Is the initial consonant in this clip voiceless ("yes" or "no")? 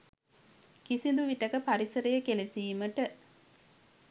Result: yes